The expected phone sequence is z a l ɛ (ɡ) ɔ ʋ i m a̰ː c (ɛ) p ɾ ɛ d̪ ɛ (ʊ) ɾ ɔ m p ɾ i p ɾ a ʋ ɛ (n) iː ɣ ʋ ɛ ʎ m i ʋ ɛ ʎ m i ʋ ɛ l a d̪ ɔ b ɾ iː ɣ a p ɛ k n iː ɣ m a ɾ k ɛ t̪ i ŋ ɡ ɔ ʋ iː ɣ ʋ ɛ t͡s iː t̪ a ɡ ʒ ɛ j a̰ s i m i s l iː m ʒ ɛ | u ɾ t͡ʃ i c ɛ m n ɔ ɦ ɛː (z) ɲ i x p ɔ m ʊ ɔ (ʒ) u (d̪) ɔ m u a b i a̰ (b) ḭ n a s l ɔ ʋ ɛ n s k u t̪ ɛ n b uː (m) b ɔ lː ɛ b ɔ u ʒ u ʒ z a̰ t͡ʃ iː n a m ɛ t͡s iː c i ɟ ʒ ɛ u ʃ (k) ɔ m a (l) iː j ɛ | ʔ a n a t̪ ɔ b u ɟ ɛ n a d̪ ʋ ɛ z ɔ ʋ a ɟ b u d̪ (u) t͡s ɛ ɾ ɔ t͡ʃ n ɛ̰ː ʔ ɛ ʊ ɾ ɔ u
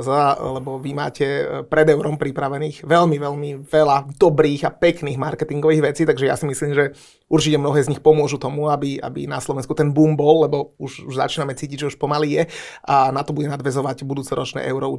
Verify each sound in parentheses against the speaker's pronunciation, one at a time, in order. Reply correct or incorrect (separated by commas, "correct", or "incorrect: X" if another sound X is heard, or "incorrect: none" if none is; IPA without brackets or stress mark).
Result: incorrect: b, correct, correct, correct, correct, correct, incorrect: t̪, correct, correct, incorrect: p, correct, incorrect: uː